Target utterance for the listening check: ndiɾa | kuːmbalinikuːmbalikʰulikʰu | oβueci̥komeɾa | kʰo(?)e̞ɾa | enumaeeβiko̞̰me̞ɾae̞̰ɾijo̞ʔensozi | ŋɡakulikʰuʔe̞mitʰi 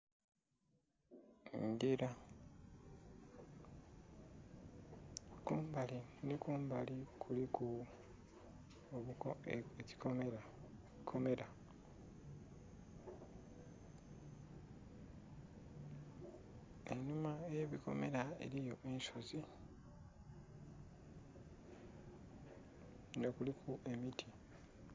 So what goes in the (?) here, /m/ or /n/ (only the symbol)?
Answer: m